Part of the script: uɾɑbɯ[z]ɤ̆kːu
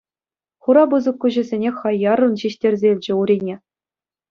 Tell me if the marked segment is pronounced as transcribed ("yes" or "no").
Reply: yes